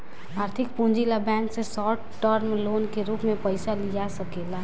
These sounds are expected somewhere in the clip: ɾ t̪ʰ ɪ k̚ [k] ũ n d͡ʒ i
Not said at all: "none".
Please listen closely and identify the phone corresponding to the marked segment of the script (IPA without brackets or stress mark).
p